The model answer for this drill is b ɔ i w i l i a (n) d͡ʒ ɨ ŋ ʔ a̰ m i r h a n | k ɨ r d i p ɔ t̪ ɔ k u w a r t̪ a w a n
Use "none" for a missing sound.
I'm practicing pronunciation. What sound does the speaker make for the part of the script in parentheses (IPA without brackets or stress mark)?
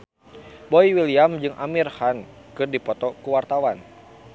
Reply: m